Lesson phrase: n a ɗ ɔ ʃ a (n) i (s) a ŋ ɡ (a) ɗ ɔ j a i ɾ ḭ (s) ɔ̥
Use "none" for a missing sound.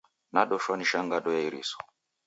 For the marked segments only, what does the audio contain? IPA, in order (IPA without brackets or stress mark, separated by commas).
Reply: n, ʃ, a, s